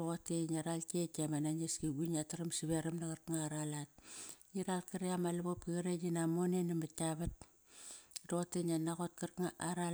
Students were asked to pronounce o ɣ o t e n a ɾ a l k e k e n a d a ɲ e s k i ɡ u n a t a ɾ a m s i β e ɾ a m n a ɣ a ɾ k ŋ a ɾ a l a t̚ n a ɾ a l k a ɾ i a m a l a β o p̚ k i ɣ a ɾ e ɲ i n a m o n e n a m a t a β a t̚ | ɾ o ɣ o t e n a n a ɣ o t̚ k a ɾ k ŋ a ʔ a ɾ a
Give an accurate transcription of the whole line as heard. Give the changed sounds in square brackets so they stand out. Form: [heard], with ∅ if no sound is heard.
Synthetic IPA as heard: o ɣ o t e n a ɾ a l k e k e [m] a [n] a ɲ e s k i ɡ u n a t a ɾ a m s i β e ɾ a m n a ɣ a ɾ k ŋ a ɾ a l a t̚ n [i] ɾ a l k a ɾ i a m a l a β o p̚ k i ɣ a ɾ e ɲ i n a m o n e n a m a t a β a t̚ | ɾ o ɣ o t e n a n a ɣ o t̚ k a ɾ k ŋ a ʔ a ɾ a